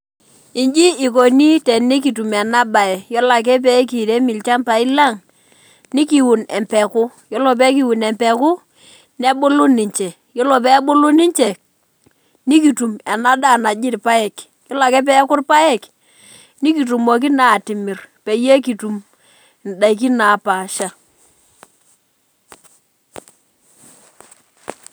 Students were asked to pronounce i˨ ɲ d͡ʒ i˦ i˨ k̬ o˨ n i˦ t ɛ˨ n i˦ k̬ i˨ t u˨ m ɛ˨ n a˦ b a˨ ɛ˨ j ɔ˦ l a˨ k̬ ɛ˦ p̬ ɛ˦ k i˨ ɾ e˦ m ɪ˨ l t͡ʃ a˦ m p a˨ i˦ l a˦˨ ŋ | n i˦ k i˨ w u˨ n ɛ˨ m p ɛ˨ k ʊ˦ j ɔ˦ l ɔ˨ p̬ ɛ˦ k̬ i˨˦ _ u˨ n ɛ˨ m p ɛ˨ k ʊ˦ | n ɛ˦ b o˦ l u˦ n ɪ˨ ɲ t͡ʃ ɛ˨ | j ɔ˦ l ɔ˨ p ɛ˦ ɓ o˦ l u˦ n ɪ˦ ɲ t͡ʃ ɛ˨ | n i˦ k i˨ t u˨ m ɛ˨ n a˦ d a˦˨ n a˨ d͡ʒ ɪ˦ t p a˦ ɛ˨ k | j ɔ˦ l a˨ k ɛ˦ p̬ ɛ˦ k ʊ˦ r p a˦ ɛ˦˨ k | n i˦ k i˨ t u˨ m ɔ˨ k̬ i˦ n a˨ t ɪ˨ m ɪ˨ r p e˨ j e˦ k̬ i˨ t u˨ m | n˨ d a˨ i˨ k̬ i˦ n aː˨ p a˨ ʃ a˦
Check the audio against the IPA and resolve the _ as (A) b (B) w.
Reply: B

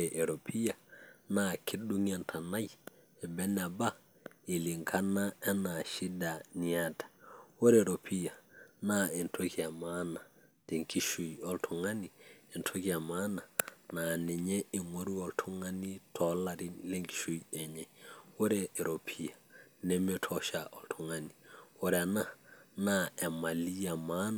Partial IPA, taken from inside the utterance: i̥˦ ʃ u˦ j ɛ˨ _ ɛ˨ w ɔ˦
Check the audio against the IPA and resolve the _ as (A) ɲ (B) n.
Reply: A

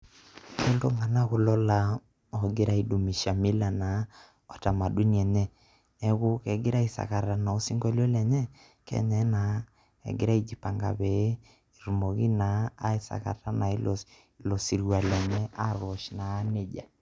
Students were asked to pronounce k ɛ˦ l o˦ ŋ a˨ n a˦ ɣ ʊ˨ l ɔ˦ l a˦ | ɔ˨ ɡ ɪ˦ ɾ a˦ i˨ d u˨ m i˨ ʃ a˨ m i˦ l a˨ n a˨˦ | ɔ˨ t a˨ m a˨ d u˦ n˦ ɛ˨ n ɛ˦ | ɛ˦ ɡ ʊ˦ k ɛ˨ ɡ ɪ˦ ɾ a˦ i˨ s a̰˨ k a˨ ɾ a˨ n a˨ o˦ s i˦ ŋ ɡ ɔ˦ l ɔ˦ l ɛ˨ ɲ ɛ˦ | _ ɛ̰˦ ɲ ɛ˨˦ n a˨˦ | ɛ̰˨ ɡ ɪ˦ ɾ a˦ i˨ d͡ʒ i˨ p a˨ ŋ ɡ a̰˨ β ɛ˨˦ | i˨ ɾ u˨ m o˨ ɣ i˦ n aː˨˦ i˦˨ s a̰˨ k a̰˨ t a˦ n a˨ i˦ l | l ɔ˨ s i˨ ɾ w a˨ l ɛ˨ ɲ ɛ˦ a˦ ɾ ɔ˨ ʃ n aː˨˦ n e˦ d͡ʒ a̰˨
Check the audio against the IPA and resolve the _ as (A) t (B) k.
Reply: B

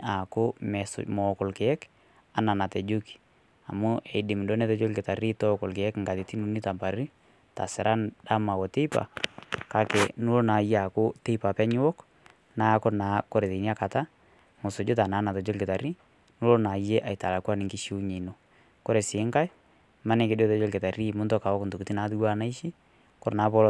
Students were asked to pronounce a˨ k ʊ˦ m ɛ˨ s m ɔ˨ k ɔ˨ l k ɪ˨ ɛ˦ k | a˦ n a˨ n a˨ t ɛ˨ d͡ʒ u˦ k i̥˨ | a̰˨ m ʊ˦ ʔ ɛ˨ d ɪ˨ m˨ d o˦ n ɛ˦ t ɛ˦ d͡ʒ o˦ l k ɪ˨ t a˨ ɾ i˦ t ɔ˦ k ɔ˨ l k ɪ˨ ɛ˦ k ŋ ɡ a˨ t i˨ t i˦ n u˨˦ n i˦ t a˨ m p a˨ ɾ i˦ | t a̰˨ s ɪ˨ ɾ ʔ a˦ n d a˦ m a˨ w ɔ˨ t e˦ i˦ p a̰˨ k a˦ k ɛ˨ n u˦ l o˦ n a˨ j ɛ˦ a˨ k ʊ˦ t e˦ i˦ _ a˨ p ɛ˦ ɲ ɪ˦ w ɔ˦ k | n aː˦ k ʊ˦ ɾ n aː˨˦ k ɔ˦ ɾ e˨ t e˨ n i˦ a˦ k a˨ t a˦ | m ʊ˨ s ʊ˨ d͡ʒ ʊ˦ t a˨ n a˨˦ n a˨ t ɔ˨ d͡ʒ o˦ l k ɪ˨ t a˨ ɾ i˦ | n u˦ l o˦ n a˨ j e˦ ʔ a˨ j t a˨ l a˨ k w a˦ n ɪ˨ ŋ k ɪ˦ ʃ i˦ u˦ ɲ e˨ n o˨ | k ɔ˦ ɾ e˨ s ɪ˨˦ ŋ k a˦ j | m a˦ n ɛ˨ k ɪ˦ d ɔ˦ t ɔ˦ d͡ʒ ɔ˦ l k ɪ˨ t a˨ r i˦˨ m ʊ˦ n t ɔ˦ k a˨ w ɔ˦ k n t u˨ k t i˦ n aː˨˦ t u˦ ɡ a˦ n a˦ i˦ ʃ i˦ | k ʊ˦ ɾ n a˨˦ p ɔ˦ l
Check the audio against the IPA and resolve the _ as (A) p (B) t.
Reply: A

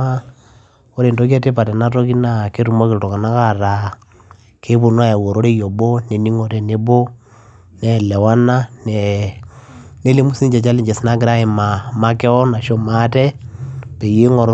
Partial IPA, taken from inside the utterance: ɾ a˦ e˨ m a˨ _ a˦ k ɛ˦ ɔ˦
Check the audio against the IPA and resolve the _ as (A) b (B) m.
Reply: B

